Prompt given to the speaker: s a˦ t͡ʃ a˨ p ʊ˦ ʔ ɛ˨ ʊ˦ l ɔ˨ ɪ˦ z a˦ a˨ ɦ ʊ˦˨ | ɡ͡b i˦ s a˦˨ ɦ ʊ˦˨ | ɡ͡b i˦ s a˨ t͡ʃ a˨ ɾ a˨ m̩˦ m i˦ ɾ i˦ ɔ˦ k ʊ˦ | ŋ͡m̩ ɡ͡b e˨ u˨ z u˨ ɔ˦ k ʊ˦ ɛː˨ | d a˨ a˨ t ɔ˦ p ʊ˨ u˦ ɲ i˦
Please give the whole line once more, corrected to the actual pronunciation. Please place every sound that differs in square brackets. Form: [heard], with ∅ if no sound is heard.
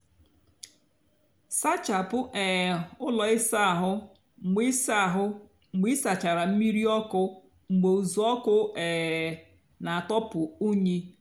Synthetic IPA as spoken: s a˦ t͡ʃ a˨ p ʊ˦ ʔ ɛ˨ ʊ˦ l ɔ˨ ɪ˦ [s] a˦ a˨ ɦ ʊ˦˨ | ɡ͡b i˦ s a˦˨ ɦ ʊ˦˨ | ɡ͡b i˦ s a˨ t͡ʃ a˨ ɾ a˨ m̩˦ m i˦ ɾ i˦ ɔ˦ k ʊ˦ | ŋ͡m̩ ɡ͡b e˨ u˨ z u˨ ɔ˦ k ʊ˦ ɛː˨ | [n] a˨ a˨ t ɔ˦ p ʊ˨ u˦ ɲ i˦